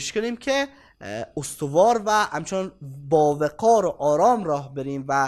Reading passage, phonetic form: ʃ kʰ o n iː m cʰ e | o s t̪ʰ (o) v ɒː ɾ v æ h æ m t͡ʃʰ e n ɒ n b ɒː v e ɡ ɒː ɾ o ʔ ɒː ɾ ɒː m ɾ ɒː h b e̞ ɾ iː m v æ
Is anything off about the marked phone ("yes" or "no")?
no